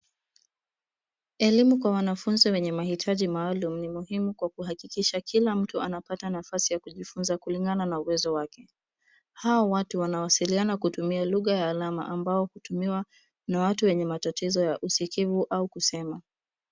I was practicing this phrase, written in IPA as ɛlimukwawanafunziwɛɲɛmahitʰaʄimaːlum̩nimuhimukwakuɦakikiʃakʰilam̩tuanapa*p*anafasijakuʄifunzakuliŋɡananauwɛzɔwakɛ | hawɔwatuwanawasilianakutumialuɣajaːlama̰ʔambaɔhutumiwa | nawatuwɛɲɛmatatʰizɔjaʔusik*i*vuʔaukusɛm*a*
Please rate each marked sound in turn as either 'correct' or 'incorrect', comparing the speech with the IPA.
incorrect, correct, correct

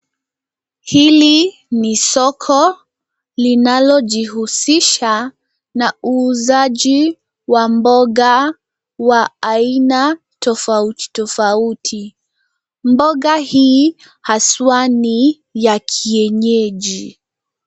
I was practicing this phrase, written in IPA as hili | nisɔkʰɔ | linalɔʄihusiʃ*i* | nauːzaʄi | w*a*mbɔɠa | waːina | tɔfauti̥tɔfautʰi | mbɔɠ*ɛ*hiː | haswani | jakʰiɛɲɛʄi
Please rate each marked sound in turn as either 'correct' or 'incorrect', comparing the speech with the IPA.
incorrect, correct, incorrect

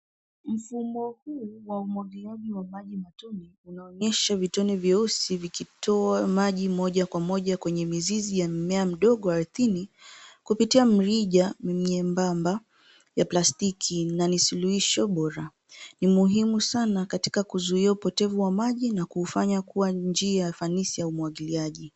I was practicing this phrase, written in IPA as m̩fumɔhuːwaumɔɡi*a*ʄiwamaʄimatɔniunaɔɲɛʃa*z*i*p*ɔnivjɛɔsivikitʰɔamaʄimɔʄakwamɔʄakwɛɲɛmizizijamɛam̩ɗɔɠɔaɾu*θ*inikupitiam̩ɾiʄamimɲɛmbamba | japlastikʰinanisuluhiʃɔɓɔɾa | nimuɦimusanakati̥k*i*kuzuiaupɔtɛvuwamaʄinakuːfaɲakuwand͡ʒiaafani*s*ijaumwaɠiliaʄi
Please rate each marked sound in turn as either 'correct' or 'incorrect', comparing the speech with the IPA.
correct, incorrect, incorrect, correct, incorrect, correct

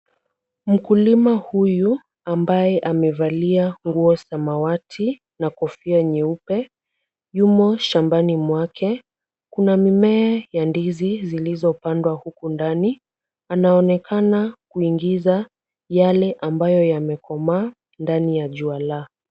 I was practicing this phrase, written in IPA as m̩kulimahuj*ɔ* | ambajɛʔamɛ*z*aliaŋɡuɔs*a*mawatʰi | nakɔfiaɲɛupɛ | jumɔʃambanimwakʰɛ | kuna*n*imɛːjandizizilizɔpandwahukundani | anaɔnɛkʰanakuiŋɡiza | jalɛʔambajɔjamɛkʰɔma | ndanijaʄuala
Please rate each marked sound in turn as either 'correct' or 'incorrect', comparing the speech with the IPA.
incorrect, incorrect, correct, incorrect

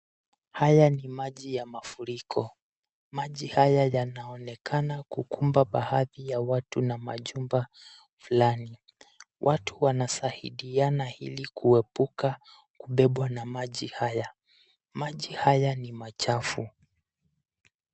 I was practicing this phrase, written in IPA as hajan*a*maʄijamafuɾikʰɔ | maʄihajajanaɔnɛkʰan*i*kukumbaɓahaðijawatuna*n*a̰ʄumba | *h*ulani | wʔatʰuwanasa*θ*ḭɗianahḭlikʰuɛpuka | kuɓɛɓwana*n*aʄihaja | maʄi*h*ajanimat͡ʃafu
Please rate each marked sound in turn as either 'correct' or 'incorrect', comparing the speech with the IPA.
incorrect, incorrect, incorrect, incorrect, incorrect, incorrect, correct

